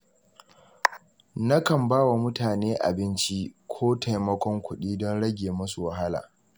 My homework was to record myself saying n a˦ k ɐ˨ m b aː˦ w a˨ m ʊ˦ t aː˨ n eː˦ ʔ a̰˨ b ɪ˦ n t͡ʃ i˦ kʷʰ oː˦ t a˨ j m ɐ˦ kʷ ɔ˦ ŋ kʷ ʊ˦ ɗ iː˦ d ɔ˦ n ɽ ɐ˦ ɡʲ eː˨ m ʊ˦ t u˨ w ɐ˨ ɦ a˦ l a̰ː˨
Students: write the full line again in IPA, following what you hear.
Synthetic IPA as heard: n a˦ k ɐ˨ m b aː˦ w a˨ m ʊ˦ t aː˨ n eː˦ ʔ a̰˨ b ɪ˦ n t͡ʃ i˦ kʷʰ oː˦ t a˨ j m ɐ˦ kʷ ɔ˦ ŋ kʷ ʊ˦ ɗ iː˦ d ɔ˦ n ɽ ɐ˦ ɡʲ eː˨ m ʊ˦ s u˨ w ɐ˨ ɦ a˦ l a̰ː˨